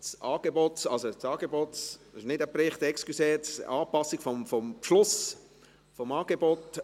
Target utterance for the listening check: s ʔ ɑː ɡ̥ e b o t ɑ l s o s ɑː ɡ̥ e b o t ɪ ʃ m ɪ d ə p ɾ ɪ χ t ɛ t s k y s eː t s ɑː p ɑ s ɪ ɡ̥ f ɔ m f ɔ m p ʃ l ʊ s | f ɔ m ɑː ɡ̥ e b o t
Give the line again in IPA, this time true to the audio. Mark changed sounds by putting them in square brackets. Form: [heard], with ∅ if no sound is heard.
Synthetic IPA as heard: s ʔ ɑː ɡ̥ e b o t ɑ l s o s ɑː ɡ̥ e b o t ɪ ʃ [n] ɪ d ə p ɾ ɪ χ t ɛ [k] s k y s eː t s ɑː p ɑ s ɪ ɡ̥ f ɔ m f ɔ m p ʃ l ʊ s | f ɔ m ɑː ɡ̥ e b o t